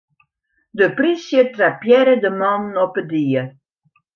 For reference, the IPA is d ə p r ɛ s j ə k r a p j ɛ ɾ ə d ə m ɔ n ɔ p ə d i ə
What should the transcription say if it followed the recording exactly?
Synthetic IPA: d ə p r i s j ə t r a p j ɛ ɾ ə d ə m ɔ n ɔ p ə d i ə